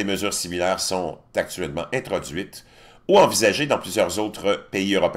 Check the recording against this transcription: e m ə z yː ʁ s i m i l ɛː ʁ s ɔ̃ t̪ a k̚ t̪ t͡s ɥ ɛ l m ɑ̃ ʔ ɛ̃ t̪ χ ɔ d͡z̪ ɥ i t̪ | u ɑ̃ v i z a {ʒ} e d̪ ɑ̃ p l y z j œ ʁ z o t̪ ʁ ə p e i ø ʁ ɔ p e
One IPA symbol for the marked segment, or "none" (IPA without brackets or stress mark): ʒ